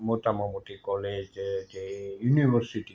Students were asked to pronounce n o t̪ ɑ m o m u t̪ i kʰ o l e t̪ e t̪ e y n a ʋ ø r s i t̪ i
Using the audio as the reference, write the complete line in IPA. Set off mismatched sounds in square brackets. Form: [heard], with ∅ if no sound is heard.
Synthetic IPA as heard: [m] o t̪ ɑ m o m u t̪ i [k] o l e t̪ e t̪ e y n [i] ʋ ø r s i t̪ i